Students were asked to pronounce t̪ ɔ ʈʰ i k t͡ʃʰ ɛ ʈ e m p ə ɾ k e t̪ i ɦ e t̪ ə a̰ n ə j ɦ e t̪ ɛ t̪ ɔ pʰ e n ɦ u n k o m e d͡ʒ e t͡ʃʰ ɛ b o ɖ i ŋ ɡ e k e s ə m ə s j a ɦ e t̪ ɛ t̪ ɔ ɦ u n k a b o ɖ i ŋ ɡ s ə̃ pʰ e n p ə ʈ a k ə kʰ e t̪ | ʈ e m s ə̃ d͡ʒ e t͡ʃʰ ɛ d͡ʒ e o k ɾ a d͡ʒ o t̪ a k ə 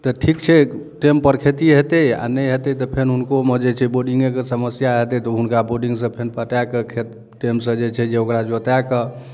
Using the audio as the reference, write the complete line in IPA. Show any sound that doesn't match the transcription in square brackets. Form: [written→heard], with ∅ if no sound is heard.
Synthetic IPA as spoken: t̪ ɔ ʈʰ i k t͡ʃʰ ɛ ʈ e m p ə ɾ [k→kʰ] e t̪ i ɦ e t̪ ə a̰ n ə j ɦ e t̪ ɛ t̪ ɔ pʰ e n ɦ u n k o m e d͡ʒ e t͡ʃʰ ɛ b o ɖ i ŋ ɡ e k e s ə m ə s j a ɦ e t̪ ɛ t̪ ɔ ɦ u n k a b o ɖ i ŋ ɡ s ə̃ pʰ e n p ə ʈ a k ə kʰ e t̪ | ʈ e m s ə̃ d͡ʒ e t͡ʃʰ ɛ d͡ʒ e o k ɾ a d͡ʒ o t̪ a k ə